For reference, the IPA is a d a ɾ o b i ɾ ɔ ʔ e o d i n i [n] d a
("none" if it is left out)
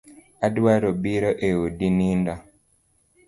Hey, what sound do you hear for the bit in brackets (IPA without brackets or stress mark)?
n